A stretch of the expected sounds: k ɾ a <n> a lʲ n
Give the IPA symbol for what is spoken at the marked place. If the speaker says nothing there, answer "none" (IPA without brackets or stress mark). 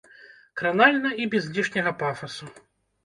n